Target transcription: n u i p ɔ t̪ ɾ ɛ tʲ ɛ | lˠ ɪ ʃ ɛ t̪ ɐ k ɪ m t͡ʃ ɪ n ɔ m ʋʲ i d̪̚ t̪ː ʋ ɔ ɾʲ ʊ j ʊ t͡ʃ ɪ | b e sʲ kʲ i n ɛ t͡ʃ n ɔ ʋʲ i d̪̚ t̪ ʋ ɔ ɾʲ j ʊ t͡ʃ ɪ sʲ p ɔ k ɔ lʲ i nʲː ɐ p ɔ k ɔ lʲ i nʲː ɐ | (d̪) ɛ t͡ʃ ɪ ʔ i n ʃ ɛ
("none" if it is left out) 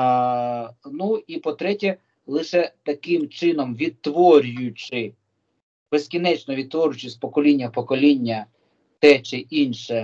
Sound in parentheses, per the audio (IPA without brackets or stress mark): t̪